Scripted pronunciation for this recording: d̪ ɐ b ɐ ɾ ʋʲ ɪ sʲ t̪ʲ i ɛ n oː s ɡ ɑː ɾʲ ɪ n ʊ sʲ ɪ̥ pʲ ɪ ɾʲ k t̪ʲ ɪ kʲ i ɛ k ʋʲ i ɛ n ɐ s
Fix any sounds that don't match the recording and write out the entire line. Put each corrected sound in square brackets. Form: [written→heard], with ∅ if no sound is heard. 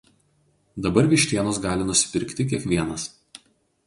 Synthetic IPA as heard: d̪ ɐ b ɐ ɾ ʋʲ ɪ [sʲ→ʃʲ] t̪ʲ i ɛ n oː s ɡ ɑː [ɾʲ→lʲ] ɪ n ʊ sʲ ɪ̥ pʲ ɪ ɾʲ k t̪ʲ ɪ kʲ i ɛ k ʋʲ i ɛ n ɐ s